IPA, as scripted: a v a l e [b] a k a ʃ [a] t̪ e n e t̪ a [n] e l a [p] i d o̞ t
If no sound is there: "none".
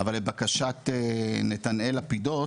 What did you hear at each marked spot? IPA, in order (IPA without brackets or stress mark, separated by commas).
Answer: b, a, n, p